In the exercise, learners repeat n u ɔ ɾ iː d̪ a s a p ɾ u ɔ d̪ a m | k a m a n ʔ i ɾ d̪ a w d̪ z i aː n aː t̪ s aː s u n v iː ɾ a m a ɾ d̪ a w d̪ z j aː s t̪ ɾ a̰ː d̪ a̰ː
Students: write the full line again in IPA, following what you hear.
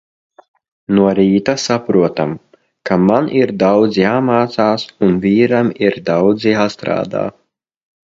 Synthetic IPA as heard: n u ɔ ɾ iː t̪ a s a p ɾ u ɔ t̪ a m | k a m a n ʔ i ɾ d̪ a w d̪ z j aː m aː t̪ s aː s u n v iː ɾ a m i ɾ d̪ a w d̪ z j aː s t̪ ɾ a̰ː d̪ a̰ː